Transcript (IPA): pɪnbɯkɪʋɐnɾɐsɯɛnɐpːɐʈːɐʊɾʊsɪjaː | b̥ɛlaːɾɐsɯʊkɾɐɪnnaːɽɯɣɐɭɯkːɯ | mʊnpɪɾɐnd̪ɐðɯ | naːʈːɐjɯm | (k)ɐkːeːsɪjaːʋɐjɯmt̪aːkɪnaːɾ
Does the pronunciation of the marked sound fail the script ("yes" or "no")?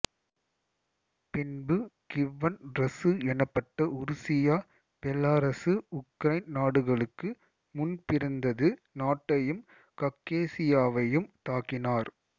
no